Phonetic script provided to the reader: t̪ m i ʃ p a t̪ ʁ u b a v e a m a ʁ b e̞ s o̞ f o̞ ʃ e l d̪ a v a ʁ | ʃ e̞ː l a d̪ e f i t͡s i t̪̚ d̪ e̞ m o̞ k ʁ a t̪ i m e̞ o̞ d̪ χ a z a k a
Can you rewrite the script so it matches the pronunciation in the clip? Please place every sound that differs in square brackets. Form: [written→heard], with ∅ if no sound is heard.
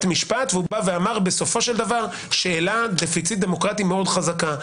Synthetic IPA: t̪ m i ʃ p a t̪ [ʁ→v] u b a v e a m a ʁ b e̞ s o̞ f o̞ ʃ e l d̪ a v a ʁ | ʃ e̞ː l a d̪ e f i t͡s i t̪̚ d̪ e̞ m o̞ k ʁ a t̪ i m e̞ o̞ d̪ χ a z a k a